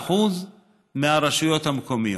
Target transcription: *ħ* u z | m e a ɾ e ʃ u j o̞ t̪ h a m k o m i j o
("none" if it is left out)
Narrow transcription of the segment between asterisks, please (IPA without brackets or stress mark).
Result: ħ